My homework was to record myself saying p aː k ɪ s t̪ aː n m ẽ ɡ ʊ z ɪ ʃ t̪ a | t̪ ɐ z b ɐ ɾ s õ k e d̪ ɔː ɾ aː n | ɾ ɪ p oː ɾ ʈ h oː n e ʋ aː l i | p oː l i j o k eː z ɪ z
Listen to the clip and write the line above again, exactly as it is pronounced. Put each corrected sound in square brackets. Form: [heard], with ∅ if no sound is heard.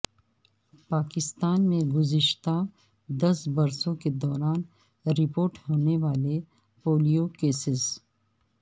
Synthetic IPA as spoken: p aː k ɪ s t̪ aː n m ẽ ɡ ʊ z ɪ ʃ t̪ a | [d̪] ɐ [s] b ɐ ɾ s õ k e d̪ ɔː ɾ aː n | ɾ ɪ p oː ɾ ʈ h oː n e ʋ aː l [e] | p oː l i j o k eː [s] ɪ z